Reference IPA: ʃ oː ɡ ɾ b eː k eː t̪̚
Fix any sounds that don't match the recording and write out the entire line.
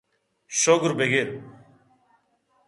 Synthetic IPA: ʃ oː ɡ ɾ b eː ɡ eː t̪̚